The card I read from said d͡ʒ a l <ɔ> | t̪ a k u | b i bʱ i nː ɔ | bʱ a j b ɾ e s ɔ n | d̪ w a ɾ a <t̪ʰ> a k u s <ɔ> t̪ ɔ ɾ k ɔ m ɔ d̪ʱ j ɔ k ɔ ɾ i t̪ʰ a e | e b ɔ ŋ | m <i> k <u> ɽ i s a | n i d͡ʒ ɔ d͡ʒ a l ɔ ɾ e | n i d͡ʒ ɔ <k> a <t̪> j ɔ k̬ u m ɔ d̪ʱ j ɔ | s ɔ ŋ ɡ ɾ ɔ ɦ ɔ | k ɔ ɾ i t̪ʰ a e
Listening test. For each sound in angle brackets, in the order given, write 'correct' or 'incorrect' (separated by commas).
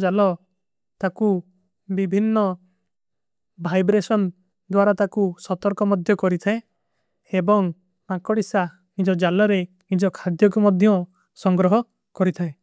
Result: correct, incorrect, correct, incorrect, incorrect, incorrect, incorrect